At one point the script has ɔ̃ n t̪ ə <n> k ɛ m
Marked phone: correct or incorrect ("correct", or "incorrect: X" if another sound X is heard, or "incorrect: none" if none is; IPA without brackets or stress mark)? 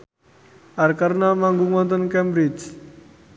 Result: correct